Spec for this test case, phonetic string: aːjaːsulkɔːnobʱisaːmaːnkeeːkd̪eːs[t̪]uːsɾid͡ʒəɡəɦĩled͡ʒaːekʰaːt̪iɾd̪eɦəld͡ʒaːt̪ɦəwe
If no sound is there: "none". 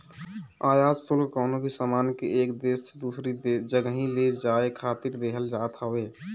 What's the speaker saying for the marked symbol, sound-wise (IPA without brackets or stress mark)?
d̪